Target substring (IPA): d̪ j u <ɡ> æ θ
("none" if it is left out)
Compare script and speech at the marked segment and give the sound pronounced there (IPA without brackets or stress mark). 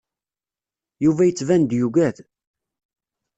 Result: ɡ